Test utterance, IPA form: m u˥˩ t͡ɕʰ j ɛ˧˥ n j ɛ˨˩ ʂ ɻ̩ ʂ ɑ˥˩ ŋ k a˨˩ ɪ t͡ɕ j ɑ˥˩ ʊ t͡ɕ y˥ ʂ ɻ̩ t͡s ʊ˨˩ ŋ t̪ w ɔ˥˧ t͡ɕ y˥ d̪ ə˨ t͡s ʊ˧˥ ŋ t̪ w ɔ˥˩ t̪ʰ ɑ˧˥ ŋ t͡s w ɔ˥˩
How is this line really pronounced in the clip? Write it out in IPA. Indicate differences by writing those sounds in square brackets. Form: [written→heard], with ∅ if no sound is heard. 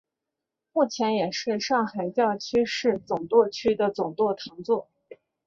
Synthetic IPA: m u˥˩ t͡ɕʰ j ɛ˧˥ n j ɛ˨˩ ʂ ɻ̩ ʂ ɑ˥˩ ŋ [k→x] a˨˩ ɪ t͡ɕ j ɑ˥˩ ʊ [t͡ɕ→t͡ɕʰ] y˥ ʂ ɻ̩ t͡s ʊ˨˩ ŋ t̪ w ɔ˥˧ [t͡ɕ→t͡ɕʰ] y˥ d̪ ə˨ t͡s [ʊ˧˥→ʊ˨˩] ŋ t̪ w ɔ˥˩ t̪ʰ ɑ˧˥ ŋ t͡s w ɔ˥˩